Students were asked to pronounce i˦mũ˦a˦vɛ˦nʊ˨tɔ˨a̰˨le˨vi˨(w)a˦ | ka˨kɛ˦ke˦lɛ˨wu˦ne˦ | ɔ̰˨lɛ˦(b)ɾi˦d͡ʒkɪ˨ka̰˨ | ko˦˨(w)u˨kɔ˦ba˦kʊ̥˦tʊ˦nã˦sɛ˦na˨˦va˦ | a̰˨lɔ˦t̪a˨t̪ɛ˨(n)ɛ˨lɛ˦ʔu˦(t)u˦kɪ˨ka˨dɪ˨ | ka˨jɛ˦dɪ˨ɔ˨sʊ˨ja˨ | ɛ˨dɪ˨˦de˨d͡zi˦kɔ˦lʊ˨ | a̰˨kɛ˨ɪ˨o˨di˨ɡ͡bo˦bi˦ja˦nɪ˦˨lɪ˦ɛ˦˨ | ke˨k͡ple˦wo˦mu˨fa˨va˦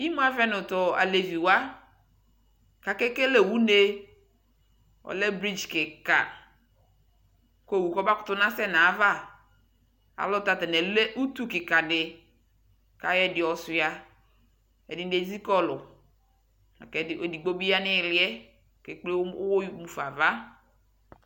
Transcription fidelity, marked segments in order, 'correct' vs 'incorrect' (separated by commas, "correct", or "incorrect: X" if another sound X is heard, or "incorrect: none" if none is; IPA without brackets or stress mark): correct, correct, correct, correct, correct